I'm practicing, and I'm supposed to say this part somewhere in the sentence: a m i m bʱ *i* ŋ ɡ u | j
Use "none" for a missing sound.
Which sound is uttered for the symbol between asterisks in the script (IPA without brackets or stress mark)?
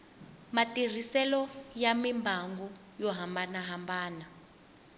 a